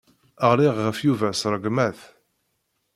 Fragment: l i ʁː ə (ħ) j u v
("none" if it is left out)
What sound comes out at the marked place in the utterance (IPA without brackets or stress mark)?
f